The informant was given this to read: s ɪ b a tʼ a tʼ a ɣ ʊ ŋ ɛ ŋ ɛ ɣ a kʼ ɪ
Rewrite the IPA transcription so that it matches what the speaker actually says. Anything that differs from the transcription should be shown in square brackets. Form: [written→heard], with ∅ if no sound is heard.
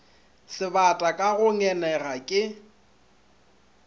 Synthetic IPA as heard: s ɪ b a tʼ a [tʼ→kʼ] a ɣ ʊ ŋ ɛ [ŋ→n] ɛ ɣ a kʼ ɪ